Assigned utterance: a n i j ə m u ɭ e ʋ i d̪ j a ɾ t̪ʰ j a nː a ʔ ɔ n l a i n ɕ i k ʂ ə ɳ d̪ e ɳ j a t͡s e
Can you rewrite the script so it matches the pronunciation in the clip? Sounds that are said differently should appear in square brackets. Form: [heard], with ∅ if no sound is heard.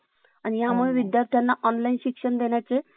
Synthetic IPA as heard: a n i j [a] m u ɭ e ʋ i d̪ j a ɾ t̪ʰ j a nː a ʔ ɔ n l a i n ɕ i k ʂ ə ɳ d̪ e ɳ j a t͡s e